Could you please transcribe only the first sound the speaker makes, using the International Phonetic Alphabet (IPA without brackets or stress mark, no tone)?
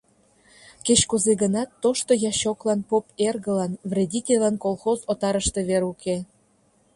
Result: k